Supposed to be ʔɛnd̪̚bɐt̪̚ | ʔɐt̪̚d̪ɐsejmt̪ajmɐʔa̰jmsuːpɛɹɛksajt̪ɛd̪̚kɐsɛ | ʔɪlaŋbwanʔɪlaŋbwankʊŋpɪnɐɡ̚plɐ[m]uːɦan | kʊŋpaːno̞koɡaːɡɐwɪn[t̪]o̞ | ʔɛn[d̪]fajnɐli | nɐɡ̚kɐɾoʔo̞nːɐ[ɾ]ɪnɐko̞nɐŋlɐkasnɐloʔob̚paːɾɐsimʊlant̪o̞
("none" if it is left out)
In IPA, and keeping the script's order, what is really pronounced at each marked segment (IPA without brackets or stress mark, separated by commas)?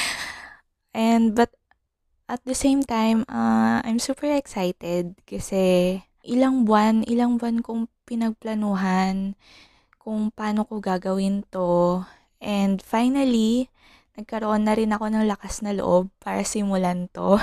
n, t̪, d̪, ɾ